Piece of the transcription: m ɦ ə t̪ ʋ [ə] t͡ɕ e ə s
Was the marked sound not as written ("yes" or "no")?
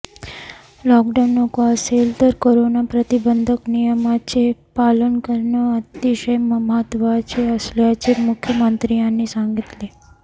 yes